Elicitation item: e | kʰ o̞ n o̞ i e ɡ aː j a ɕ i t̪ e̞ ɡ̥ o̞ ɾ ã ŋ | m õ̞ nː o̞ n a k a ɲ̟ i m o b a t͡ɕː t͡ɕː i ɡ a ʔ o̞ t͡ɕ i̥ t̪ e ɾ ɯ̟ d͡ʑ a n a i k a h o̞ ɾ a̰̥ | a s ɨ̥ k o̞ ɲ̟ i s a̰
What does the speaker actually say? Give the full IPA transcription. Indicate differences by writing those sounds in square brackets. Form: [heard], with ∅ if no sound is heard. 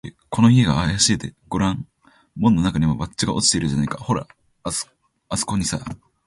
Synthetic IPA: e | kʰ o̞ n o̞ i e ɡ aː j a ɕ i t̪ e̞ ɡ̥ o̞ ɾ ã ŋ | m õ̞ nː o̞ n a k a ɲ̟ i m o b a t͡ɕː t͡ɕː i ɡ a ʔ o̞ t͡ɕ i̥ t̪ e ɾ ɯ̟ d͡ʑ a n a i k a h o̞ ɾ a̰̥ | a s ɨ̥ k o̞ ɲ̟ i s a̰

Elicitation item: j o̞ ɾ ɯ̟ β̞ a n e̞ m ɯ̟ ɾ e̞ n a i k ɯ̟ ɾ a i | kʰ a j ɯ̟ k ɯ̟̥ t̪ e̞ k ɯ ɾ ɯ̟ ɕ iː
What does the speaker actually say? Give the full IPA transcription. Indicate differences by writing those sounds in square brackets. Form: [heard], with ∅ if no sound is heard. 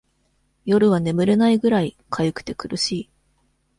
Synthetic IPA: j o̞ ɾ ɯ̟ β̞ a n e̞ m ɯ̟ ɾ e̞ n a i [ɡ] ɯ̟ ɾ a i | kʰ a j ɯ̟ k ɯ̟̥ t̪ e̞ k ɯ ɾ ɯ̟ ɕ iː

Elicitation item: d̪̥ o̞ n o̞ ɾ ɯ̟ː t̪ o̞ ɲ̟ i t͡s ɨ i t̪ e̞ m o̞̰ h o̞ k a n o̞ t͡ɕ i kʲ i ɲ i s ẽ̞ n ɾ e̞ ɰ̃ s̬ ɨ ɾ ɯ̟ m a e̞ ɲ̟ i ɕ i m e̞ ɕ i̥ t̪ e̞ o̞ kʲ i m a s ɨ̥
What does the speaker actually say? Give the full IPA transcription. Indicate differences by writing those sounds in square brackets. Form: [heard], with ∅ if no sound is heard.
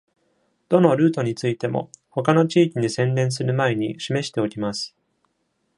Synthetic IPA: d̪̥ o̞ n o̞ ɾ ɯ̟ː t̪ o̞ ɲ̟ i t͡s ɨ i t̪ e̞ m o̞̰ h o̞ k a n o̞ t͡ɕ [iː] kʲ i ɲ i s ẽ̞ n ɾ [ẽ̞] ɰ̃ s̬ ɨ ɾ ɯ̟ m a e̞ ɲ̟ i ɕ i m e̞ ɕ i̥ t̪ e̞ o̞ kʲ i m a s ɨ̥

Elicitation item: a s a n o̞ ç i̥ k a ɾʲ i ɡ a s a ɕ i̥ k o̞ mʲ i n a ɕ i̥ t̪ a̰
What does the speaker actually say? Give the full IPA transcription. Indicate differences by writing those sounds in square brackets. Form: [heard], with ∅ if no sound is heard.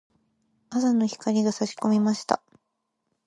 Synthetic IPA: a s a n o̞ ç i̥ k a ɾʲ i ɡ a s a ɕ i̥ k o̞ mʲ i [m] a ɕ i̥ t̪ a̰

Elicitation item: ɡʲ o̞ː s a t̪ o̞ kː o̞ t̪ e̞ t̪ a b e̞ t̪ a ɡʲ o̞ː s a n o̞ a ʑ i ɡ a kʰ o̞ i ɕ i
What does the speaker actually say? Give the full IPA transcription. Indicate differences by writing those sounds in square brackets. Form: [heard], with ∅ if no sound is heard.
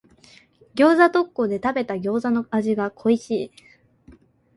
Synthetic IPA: ɡʲ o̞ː [z] a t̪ o̞ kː o̞ [d̪] e̞ t̪ a b e̞ t̪ a ɡʲ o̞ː [z] a n o̞ a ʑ i ɡ a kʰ o̞ i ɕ [iː]

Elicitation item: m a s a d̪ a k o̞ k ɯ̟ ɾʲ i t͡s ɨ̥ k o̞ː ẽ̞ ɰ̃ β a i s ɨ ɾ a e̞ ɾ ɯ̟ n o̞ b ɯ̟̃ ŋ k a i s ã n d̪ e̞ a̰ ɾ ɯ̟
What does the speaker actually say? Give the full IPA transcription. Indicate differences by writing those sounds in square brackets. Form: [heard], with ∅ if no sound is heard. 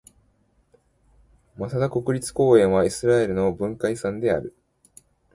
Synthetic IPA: m a s a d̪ a k o̞ k ɯ̟ ɾʲ i t͡s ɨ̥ k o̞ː ẽ̞ ɰ̃ β a i s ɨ ɾ a e̞ ɾ ɯ̟ n o̞ b ɯ̟̃ ŋ k a i s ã n d̪ e̞ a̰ ɾ ɯ̟

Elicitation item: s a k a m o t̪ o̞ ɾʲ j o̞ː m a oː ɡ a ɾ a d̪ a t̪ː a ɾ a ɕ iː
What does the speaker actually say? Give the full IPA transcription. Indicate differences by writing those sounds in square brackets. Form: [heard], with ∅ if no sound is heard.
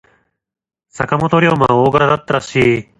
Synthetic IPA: s a k a m o t̪ o̞ ɾʲ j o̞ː m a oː ɡ a ɾ a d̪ a t̪ː a ɾ a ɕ iː

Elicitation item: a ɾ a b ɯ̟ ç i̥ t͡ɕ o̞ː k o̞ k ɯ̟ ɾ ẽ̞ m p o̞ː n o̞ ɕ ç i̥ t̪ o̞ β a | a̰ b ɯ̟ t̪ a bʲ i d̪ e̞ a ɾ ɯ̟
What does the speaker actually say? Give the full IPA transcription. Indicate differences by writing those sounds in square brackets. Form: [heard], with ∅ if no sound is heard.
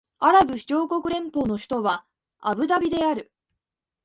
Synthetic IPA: a ɾ a b ɯ̟ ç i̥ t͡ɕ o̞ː k o̞ k ɯ̟ ɾ ẽ̞ m p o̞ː n o̞ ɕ ç i̥ t̪ o̞ β a | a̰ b ɯ̟ [d̪] a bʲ i d̪ e̞ a ɾ ɯ̟

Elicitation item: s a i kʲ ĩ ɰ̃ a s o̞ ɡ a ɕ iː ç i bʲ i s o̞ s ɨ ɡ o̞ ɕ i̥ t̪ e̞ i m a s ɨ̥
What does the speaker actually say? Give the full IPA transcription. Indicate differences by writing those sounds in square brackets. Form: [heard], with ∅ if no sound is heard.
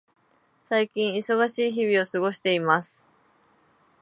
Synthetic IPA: s a i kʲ ĩ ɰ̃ [i] s o̞ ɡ a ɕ iː ç i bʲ i [∅] o̞ s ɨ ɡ o̞ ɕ i̥ t̪ e̞ i m a s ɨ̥

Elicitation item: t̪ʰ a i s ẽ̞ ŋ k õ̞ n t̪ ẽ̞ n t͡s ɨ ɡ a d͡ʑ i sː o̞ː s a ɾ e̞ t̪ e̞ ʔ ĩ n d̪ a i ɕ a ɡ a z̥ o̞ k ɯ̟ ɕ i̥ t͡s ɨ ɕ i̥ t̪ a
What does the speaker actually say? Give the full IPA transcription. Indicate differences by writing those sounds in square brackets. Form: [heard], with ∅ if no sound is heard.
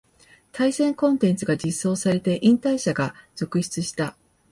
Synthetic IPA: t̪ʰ a i s ẽ̞ ŋ k õ̞ n t̪ ẽ̞ n t͡s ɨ ɡ a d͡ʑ i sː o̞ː s a ɾ e̞ t̪ e̞ ʔ ĩ n [t̪] a i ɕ a ɡ a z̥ o̞ k ɯ̟ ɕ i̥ t͡s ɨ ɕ i̥ t̪ a

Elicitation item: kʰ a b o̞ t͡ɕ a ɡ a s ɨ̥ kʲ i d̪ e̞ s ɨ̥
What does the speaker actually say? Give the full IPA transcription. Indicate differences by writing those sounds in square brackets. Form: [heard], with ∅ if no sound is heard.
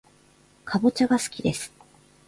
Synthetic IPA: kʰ a b o̞ t͡ɕ a ɡ a s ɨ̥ kʲ i d̪ e̞ s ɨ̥

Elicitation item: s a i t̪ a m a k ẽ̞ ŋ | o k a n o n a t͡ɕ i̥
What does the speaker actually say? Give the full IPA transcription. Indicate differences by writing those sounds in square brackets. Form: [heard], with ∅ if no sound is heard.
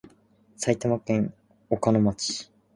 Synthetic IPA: s a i t̪ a m a k ẽ̞ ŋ | o k a n o [m] a t͡ɕ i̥

